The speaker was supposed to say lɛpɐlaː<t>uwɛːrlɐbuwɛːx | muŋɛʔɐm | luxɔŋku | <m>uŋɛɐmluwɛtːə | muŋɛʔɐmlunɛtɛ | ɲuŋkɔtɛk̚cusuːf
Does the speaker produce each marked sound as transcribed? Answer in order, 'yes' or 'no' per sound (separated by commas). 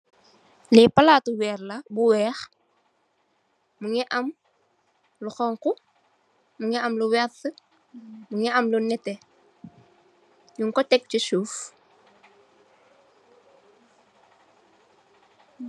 yes, yes